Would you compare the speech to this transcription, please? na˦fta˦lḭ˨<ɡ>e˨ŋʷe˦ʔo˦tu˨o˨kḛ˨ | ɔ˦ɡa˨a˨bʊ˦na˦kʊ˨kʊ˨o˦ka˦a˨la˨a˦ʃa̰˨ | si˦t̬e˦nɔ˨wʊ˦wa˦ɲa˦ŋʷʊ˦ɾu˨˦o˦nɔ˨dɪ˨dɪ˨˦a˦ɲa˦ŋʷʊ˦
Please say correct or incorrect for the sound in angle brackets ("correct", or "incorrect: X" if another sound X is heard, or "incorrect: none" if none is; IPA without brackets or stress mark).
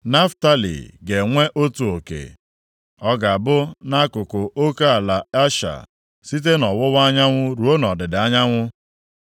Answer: correct